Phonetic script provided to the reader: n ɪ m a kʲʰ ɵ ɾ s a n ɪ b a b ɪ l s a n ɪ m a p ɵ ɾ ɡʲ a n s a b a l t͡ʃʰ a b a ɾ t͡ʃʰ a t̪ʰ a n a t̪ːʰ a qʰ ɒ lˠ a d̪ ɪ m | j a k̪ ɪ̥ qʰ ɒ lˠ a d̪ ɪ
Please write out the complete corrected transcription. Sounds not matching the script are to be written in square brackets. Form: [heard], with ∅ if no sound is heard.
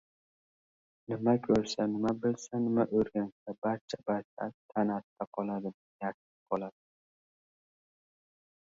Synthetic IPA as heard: n ɪ m a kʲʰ ɵ ɾ s a n ɪ [m] a b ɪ l s a n ɪ m a [ʔ] ɵ ɾ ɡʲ a n s a b a [ɾ] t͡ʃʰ a b a ɾ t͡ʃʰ a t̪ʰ a n a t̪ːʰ a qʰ ɒ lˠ a d̪ ɪ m | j a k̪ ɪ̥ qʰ ɒ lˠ a d̪ ɪ

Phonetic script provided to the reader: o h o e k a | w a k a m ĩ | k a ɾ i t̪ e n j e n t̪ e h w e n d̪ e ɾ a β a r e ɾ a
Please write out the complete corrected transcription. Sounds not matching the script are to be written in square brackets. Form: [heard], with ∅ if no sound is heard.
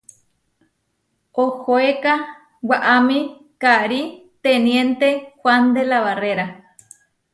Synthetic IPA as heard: o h o e k a | w a [ʔ] a m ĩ | k a ɾ i t̪ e n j e n t̪ e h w [a] n d̪ e [l] a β a r e ɾ a

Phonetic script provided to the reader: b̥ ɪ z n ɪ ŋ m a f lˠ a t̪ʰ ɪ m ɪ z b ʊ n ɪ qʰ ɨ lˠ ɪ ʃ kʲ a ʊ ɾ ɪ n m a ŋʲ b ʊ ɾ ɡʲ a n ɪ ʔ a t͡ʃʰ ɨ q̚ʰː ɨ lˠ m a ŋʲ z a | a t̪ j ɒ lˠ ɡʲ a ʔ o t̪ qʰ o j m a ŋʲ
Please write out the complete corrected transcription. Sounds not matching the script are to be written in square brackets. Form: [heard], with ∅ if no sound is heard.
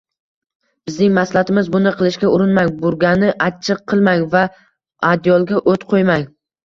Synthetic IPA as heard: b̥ ɪ z n ɪ ŋ m a [s] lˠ a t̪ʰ ɪ m ɪ z b ʊ n ɪ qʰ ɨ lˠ ɪ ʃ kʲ a ʊ ɾ ɪ n m a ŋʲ b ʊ ɾ ɡʲ a n ɪ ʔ a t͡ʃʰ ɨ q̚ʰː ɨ lˠ m a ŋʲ [v] a | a [d̪] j ɒ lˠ ɡʲ a ʔ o t̪ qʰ o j m a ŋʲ

